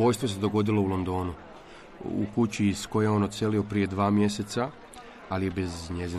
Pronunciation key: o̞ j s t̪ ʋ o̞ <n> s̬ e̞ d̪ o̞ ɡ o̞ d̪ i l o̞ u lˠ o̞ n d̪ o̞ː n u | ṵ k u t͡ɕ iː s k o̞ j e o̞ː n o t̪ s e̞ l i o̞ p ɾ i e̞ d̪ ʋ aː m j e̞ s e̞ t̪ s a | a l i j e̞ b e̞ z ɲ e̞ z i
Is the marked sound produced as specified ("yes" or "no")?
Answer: no